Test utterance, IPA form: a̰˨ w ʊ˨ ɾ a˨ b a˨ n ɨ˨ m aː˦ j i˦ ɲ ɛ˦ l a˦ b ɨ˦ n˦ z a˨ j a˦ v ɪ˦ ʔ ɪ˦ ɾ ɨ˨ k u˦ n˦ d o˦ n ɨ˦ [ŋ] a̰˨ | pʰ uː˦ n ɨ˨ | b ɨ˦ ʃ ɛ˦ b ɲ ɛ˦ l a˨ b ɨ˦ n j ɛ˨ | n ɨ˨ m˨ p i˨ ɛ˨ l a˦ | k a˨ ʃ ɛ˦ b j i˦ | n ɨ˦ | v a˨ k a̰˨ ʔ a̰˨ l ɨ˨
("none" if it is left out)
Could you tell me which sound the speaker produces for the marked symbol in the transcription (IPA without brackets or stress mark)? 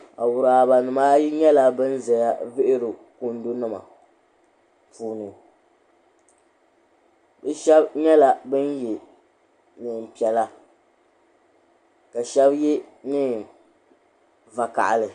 m